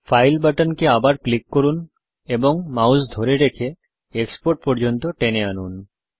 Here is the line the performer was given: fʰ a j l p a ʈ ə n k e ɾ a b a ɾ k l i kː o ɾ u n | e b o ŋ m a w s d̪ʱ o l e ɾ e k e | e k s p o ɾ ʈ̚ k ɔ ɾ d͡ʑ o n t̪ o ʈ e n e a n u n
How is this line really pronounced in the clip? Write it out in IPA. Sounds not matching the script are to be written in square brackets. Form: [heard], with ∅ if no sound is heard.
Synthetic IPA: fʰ a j l [b] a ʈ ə n k e [∅] a b a ɾ k l i kː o ɾ u n | e b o ŋ m a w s d̪ʱ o [ɾ] e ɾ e [kʰ] e | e k s p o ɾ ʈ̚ [p] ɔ ɾ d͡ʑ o n t̪ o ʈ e n e a n u n